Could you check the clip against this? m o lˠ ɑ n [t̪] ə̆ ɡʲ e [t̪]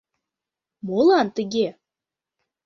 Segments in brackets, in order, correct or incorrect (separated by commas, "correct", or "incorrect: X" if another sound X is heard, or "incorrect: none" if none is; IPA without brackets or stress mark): correct, incorrect: none